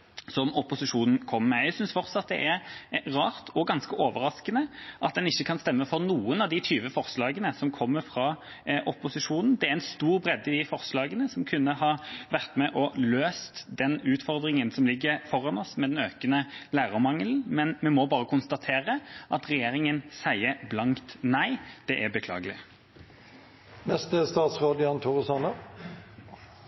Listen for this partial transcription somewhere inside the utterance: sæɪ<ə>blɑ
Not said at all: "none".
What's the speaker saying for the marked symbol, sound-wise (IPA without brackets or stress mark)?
ə